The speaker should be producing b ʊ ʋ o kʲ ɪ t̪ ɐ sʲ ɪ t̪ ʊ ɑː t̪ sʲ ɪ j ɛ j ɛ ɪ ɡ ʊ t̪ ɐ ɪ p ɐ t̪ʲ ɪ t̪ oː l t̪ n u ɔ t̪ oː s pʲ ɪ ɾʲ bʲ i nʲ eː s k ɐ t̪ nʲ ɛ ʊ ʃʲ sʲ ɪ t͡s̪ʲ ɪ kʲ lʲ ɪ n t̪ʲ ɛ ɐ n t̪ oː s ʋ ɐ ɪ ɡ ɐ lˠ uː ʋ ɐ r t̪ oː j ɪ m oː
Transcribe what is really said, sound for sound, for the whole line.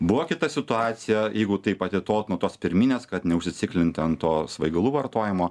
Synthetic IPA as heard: b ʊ ʋ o kʲ ɪ t̪ ɐ sʲ ɪ t̪ ʊ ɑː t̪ sʲ ɪ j ɛ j ɛ ɪ ɡ ʊ t̪ ɐ ɪ p ɐ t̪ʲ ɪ t̪ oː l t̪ n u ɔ t̪ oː s pʲ ɪ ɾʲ mʲ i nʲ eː s k ɐ t̪ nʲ ɛ ʊ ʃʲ sʲ ɪ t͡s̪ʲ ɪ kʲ lʲ ɪ n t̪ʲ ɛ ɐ n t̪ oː s ʋ ɐ ɪ ɡ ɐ lˠ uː ʋ ɐ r t̪ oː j ɪ m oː